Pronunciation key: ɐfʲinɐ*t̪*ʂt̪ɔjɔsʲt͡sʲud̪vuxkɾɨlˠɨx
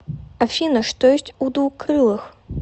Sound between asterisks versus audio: incorrect: none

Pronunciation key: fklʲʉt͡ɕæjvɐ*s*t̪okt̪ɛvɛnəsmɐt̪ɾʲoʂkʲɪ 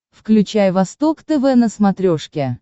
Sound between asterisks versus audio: correct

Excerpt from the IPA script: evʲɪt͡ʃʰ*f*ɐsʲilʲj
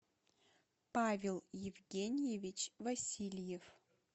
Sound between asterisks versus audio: incorrect: v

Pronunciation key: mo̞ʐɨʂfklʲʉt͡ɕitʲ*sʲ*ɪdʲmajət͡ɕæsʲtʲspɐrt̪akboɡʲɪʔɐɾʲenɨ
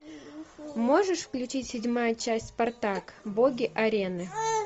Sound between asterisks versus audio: correct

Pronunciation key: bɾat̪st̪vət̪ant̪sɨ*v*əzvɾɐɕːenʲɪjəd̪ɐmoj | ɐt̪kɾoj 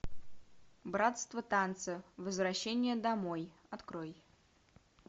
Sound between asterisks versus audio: correct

